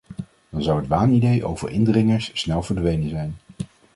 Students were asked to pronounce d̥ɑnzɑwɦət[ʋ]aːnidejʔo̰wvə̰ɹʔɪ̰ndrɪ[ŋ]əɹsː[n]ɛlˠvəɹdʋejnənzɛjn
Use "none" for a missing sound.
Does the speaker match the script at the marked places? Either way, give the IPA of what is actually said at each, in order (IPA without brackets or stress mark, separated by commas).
ʋ, ŋ, n